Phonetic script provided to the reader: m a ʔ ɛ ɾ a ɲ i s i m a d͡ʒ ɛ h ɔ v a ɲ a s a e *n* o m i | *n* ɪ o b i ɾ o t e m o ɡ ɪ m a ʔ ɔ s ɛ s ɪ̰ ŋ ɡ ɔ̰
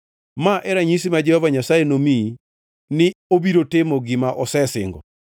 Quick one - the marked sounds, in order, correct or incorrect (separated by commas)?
correct, correct